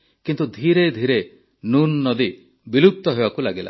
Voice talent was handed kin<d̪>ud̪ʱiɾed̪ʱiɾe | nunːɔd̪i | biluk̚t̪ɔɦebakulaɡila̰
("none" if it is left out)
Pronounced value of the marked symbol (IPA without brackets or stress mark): t̪